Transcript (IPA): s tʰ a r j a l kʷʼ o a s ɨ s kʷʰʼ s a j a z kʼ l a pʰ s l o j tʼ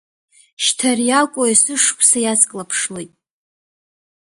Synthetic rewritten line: ʃ tʰ a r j a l kʷʼ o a s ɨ ʂ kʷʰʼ s a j a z kʼ l a pʰ ʂ l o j tʼ